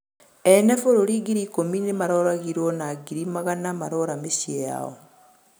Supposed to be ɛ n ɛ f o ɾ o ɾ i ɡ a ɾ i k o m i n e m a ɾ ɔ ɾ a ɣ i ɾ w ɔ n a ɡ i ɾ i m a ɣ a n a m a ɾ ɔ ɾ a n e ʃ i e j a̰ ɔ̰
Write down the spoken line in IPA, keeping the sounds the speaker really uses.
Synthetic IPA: ɛ n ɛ f o ɾ o ɾ i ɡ i ɾ i k o m i n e m a ɾ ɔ ɾ a ɣ i ɾ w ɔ n a ɡ i ɾ i m a ɣ a n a m a ɾ ɔ ɾ a m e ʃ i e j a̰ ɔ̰

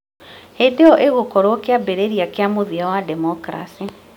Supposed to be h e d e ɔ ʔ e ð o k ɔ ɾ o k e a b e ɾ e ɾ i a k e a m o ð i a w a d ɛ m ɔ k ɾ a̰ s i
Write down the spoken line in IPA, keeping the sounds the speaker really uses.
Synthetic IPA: h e d e ɔ ʔ e ɣ o k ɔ ɾ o k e a b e ɾ e ɾ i a k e a m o ð i a w a d ɛ m ɔ k ɾ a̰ s i

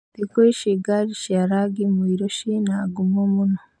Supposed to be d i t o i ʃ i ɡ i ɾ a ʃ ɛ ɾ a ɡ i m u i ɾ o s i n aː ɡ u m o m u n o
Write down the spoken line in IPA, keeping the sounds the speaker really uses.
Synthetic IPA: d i k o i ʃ i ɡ a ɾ i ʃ a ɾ a ɡ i m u i ɾ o ʃ i n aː ɡ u m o m u n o

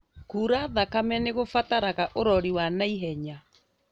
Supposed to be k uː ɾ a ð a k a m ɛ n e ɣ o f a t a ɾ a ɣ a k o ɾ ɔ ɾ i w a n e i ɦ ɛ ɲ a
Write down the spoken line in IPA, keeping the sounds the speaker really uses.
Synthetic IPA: k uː ɾ a ð a k a m ɛ n e ɣ o f a t a ɾ a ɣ a ʔ o ɾ ɔ ɾ i w a n a i ɦ ɛ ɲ a

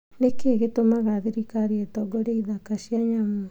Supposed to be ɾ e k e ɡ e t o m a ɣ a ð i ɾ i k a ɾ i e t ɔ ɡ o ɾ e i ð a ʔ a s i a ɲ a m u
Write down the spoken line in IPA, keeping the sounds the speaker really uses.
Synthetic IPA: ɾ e k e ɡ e t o m a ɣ a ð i ɾ i k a ɾ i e t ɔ ɡ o ɾ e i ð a k a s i a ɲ a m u

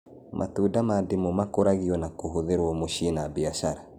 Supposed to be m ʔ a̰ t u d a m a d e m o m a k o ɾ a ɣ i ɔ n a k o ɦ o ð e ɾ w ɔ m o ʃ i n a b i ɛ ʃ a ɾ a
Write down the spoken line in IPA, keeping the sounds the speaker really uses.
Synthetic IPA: m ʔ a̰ t u d a m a d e m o m a k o ɾ a ɣ i ɔ n a k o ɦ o ð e ɾ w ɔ m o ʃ i n a b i a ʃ a ɾ a

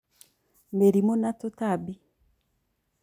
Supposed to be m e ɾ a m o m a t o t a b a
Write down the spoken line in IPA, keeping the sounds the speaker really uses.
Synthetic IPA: m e ɾ i m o n a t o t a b i

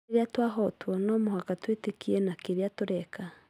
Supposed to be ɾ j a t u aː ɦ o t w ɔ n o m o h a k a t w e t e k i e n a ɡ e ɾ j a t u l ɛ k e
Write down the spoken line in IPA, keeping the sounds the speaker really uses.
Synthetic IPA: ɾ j a t w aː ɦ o t w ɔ n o m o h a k a t w e t e k i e n a k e ɾ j a t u ɾ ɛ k a

